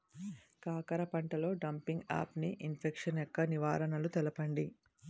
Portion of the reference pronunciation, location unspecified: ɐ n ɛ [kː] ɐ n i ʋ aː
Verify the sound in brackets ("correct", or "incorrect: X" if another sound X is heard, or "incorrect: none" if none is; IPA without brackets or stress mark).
correct